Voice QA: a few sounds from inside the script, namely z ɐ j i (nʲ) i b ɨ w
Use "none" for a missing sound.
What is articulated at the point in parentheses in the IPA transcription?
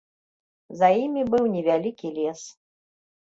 mʲ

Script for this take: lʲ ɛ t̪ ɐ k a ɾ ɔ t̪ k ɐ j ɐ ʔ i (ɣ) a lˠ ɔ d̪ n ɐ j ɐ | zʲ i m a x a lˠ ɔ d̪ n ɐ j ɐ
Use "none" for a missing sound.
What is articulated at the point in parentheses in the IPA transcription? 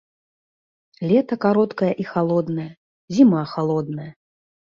x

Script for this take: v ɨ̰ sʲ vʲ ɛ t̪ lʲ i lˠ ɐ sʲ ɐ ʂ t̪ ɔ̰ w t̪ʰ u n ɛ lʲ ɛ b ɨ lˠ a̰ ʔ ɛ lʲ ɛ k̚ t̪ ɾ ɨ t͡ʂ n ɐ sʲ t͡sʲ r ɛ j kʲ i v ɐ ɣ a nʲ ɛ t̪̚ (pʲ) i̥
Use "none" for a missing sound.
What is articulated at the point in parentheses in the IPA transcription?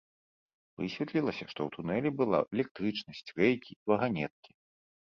kʲ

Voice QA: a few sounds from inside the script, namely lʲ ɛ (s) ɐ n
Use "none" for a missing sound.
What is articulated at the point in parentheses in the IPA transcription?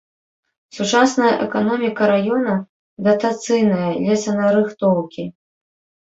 s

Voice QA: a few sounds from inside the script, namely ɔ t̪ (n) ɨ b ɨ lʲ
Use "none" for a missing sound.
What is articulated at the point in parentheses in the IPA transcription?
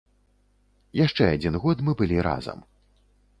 m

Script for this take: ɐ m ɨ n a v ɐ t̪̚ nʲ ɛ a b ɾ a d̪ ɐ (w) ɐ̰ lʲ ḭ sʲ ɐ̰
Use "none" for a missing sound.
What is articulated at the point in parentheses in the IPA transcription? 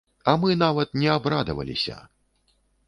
v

